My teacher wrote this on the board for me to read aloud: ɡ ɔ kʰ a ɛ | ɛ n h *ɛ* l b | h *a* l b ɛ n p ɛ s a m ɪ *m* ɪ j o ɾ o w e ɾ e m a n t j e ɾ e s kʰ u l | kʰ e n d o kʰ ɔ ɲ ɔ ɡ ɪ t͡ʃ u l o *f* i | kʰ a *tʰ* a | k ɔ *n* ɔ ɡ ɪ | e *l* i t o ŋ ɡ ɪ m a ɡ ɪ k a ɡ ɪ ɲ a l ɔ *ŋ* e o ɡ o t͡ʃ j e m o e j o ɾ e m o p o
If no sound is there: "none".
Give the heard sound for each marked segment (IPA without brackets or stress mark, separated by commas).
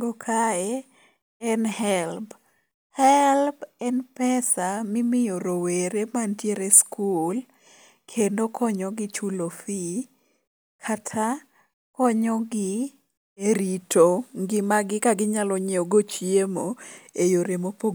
ɛ, ɛ, m, f, tʰ, ɲ, ɾ, ɲ